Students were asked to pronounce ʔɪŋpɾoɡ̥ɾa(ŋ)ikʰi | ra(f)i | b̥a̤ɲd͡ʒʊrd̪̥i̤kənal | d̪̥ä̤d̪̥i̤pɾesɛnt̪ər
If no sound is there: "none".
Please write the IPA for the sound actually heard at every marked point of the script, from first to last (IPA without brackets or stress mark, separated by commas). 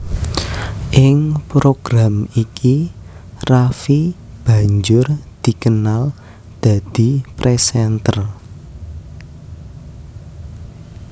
m, f